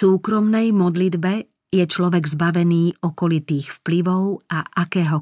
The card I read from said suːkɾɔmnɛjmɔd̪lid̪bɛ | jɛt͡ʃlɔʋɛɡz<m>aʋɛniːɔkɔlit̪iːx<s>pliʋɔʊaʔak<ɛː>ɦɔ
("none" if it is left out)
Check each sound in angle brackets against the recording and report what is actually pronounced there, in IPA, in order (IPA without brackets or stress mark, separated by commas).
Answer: b, f, ɛː